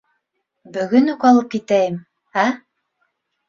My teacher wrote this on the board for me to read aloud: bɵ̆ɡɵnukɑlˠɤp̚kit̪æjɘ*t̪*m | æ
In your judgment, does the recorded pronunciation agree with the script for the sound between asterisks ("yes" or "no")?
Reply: no